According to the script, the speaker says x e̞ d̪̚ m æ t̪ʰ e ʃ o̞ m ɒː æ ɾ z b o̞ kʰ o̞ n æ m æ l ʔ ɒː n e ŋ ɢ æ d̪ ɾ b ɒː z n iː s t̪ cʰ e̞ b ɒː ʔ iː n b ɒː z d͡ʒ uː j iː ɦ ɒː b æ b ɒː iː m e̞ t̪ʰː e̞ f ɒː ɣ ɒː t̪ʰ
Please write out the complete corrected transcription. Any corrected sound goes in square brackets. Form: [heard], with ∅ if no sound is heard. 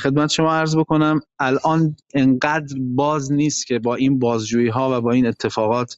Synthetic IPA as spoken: x e̞ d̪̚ m æ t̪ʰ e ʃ o̞ m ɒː æ ɾ z b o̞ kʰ o̞ n æ m æ l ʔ ɒː n e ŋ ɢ æ d̪ ɾ b ɒː z n iː s t̪ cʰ e̞ b ɒː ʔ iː n b ɒː z d͡ʒ uː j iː ɦ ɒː [v] æ b ɒː iː [n] e̞ t̪ʰː e̞ f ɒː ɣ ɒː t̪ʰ